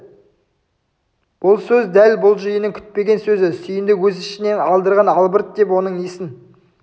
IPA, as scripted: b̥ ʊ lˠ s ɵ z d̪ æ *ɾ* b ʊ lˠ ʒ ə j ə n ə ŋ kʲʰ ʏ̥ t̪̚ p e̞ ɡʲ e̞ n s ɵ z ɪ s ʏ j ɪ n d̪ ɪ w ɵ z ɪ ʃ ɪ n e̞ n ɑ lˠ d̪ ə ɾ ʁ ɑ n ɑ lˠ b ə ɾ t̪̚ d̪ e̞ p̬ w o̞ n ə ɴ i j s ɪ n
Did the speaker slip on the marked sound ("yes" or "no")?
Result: yes